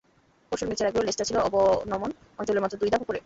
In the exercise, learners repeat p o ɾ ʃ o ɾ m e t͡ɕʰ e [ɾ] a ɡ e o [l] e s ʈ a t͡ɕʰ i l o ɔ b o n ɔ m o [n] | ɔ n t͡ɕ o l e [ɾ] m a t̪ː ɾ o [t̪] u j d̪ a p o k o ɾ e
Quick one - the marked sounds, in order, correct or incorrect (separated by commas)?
correct, correct, correct, correct, incorrect